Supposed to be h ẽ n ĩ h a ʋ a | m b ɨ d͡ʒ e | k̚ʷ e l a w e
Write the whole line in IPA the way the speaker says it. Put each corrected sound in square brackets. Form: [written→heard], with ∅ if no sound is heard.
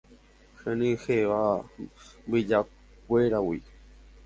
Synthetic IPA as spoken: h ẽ n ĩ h [a→e] ʋ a | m b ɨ d͡ʒ [e→a] | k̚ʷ e [l→ɾ] a w [e→i]